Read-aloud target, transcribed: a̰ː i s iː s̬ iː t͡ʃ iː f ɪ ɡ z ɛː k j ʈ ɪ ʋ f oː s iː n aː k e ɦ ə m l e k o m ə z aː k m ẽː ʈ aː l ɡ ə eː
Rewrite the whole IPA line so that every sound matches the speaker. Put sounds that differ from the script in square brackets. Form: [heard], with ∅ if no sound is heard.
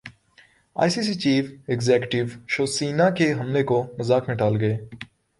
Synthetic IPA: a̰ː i s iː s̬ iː t͡ʃ iː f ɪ ɡ z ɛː k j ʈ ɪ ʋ [ʃ] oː s iː n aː k e ɦ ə m l e k o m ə z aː k m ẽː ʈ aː l ɡ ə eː